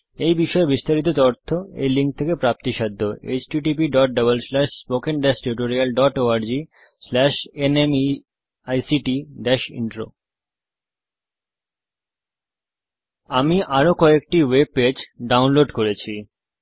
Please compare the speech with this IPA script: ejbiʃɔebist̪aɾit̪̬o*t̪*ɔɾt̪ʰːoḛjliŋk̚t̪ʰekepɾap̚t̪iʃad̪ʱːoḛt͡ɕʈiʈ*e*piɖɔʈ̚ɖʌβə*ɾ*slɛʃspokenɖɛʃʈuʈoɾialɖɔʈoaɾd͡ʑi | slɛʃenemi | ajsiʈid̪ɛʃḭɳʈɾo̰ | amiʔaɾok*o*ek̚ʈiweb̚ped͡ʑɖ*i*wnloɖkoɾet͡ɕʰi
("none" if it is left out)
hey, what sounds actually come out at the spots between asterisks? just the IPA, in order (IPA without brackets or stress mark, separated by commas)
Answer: t̪, i, l, ɔ, a